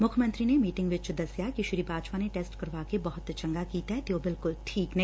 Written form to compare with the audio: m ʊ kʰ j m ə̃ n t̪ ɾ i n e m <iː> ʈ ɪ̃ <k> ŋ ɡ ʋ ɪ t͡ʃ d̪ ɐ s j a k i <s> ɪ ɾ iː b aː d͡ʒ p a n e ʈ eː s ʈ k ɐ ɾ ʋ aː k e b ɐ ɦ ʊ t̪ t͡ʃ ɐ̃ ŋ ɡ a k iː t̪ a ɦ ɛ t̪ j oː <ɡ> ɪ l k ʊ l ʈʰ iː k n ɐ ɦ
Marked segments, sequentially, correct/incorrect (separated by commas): correct, incorrect, incorrect, incorrect